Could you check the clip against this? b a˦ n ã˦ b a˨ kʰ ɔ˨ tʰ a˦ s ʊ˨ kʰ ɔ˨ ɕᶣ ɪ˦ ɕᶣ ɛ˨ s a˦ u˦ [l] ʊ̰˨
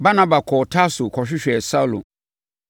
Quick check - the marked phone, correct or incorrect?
correct